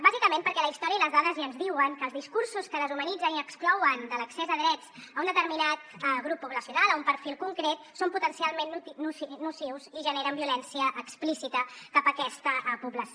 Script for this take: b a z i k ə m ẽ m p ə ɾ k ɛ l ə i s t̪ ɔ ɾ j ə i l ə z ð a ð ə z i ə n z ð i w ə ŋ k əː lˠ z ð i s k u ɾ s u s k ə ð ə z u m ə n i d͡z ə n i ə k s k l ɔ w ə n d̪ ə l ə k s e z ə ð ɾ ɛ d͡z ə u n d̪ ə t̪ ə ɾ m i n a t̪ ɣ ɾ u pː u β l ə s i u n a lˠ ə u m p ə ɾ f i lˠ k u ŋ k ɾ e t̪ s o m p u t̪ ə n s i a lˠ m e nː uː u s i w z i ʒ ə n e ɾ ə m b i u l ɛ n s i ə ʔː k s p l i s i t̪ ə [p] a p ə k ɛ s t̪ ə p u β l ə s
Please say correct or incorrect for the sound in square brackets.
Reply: incorrect: k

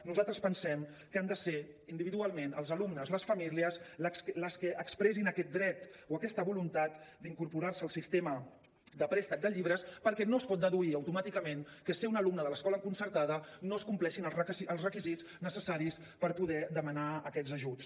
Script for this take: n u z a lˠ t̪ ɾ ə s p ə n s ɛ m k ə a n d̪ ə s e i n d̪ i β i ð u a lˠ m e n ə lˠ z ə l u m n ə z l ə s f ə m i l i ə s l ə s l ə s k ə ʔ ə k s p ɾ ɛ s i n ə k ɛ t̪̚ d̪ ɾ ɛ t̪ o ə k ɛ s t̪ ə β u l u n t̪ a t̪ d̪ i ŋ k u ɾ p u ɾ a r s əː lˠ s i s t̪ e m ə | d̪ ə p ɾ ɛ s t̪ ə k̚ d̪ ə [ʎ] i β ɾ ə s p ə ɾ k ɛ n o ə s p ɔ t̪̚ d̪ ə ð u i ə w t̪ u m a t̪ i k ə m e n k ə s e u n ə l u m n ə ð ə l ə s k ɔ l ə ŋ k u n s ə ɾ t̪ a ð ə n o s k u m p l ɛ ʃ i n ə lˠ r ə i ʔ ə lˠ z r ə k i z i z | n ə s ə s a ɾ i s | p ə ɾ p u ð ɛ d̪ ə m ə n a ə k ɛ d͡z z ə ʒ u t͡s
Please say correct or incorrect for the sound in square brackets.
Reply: correct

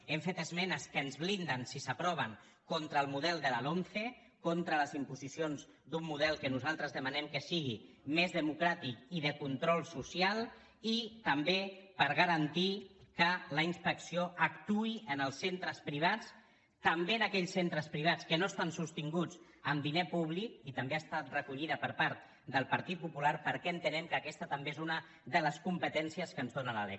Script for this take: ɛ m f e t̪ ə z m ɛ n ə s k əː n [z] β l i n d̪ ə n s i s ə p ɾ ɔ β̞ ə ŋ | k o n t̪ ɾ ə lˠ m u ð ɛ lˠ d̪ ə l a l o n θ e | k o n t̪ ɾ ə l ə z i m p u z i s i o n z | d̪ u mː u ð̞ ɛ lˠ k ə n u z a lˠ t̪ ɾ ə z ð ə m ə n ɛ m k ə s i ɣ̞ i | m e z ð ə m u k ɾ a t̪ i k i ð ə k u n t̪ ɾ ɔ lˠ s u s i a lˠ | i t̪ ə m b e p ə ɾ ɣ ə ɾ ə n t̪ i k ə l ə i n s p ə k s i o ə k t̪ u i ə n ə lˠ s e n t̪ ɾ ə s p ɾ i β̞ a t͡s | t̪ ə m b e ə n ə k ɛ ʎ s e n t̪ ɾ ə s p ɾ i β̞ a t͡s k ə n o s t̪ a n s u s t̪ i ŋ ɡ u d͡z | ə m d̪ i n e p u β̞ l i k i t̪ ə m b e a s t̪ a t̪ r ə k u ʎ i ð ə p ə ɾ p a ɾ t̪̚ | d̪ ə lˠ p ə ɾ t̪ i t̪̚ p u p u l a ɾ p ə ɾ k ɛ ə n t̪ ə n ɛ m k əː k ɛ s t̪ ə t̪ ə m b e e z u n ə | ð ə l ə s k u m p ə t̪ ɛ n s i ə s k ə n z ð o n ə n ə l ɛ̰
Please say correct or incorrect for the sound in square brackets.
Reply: correct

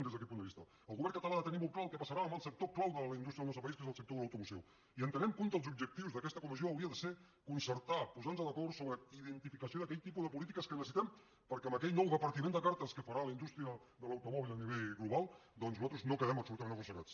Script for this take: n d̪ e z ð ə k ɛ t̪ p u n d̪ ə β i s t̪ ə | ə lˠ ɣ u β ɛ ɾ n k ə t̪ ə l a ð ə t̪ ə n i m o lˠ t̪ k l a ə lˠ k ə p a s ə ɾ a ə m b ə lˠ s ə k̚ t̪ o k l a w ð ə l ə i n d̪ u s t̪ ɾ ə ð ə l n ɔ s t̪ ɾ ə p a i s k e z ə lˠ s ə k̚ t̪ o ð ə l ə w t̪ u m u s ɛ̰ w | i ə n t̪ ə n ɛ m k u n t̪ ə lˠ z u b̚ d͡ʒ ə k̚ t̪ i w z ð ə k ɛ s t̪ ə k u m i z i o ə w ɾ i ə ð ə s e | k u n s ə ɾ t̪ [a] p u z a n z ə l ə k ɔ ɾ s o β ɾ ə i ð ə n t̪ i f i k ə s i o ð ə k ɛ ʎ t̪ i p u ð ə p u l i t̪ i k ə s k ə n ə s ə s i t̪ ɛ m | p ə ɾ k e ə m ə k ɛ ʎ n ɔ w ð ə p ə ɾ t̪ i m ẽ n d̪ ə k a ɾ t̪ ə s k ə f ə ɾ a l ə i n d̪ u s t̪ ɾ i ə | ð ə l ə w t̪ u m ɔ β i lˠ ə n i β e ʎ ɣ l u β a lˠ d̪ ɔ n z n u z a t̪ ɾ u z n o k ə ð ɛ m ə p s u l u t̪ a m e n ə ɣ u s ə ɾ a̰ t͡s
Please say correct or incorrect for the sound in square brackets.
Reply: correct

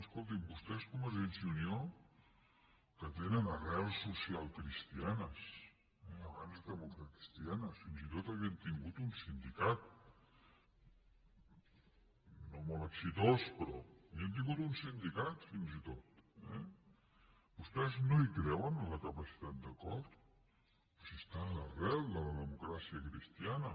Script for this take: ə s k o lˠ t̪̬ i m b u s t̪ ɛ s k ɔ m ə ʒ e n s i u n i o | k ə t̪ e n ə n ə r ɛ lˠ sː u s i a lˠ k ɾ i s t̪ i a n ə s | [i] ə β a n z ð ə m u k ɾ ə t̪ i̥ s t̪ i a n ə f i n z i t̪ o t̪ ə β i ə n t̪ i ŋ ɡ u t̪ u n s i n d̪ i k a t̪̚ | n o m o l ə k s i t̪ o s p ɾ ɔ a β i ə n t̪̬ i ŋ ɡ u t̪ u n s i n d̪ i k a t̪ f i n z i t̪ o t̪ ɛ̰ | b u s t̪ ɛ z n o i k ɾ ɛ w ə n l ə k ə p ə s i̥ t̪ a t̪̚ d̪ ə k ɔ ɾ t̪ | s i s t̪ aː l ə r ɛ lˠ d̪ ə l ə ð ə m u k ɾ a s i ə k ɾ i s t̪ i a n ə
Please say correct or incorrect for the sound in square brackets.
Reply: incorrect: ɛ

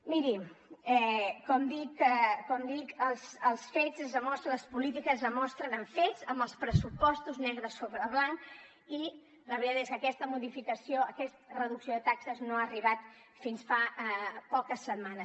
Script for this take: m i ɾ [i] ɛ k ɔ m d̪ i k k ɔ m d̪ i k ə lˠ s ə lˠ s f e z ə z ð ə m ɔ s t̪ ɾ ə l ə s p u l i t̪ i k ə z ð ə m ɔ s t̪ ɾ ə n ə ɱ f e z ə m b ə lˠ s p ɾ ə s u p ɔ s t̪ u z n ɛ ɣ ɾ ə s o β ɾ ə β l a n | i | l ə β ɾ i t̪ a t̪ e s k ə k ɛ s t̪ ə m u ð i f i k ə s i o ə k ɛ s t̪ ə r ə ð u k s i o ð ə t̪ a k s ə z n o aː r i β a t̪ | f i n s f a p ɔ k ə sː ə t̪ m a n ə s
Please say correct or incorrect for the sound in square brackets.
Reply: correct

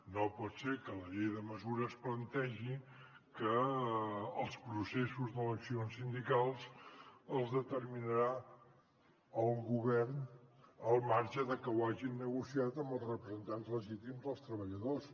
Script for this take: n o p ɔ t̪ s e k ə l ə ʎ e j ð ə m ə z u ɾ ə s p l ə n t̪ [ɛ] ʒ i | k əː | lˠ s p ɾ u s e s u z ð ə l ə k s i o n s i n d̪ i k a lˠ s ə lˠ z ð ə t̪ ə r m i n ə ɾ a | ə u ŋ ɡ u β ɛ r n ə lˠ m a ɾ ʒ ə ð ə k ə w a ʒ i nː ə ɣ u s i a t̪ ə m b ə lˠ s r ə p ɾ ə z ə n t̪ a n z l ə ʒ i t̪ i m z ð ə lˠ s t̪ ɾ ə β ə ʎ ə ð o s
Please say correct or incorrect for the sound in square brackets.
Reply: correct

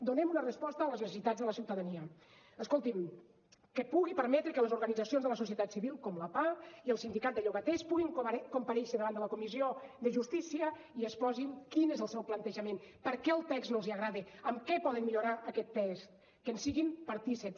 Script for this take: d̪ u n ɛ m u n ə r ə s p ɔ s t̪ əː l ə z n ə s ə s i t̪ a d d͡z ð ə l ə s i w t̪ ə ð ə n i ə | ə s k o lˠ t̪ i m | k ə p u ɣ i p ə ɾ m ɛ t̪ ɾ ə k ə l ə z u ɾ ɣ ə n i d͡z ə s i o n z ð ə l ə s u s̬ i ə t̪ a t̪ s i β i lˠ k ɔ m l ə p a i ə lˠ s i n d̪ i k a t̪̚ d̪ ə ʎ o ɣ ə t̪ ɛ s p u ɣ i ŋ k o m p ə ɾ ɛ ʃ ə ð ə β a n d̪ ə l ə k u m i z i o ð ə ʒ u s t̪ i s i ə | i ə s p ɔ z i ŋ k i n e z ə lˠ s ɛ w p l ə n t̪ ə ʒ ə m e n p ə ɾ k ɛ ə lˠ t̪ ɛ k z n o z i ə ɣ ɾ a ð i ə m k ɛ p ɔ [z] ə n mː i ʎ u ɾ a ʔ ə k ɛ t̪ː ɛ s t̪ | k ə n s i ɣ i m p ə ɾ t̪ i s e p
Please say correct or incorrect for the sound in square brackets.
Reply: incorrect: ð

